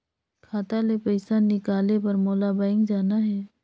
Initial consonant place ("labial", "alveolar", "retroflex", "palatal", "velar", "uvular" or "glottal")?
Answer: velar